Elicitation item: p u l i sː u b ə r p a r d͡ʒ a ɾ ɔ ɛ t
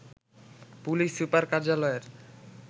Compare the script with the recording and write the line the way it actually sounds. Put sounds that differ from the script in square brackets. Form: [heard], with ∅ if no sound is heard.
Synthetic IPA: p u l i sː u [p] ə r [k] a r d͡ʒ a [l] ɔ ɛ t